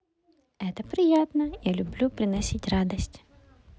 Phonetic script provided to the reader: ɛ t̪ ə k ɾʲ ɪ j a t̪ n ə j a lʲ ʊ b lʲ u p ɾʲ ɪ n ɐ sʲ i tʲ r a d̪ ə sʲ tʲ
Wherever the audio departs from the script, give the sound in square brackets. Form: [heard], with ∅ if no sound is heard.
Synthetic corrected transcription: ɛ t̪ ə [p] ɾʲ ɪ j a t̪ n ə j a lʲ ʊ b lʲ u p ɾʲ ɪ n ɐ sʲ i tʲ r a d̪ ə sʲ tʲ